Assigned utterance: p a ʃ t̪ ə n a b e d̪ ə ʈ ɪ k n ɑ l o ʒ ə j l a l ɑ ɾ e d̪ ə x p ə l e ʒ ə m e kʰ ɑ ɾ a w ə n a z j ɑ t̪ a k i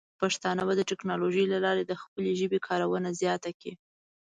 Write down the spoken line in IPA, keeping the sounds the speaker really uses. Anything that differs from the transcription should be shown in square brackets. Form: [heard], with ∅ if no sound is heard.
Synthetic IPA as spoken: p a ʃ t̪ [ɑ] n a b [a] d̪ ə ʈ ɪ k n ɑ l o ʒ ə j l a l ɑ ɾ e d̪ ə x p ə l e ʒ ə [b] e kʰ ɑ ɾ a w ə n a z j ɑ t̪ a k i